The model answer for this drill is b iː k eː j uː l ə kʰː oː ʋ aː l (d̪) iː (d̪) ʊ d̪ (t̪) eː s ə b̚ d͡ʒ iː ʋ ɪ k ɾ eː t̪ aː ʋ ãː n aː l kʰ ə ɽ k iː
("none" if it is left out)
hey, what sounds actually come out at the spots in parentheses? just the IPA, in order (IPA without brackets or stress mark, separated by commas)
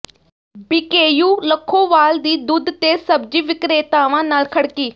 d̪, d̪, t̪